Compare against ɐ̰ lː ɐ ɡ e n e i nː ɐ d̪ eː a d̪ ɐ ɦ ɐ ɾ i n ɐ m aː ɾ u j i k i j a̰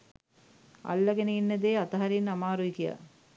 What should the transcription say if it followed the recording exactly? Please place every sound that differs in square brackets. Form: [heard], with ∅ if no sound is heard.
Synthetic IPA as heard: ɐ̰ lː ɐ ɡ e n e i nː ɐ d̪ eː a [t̪] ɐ ɦ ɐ ɾ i n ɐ m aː ɾ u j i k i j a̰